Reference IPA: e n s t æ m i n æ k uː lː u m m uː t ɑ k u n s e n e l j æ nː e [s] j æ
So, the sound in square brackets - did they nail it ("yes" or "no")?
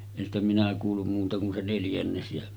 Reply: yes